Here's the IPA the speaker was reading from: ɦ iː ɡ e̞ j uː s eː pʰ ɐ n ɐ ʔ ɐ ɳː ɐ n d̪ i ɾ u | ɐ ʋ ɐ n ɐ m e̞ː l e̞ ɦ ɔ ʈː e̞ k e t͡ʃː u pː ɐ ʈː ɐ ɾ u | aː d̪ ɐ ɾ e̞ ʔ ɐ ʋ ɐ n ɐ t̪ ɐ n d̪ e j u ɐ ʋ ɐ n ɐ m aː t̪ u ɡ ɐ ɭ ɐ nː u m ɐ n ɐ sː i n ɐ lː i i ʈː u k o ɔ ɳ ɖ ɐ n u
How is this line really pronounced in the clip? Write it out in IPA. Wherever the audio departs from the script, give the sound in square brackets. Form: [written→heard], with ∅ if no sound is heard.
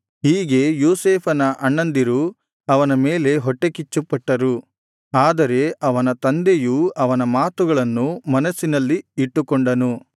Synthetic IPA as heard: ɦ iː ɡ e̞ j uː s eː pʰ ɐ n ɐ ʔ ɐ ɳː ɐ n d̪ i ɾ u | ɐ ʋ ɐ n ɐ m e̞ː l e̞ ɦ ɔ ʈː e̞ k [e→i] t͡ʃː u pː ɐ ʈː ɐ ɾ u | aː d̪ ɐ ɾ e̞ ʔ ɐ ʋ ɐ n ɐ t̪ ɐ n d̪ e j u ɐ ʋ ɐ n ɐ m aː t̪ u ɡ ɐ ɭ ɐ nː u m ɐ n ɐ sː i n ɐ lː i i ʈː u k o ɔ ɳ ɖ ɐ n u